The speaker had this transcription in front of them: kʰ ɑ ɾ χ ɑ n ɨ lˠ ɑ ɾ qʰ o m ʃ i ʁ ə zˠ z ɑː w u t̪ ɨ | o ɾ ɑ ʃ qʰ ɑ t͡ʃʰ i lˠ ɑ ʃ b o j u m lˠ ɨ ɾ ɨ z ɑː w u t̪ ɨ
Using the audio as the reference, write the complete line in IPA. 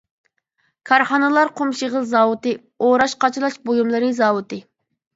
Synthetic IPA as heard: kʰ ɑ ɾ χ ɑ n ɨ lˠ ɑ ɾ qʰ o m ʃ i ʁ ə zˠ z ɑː w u t̪ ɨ | o ɾ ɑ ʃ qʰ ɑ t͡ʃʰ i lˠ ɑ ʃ b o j u m lˠ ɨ ɾ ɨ z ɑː w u t̪ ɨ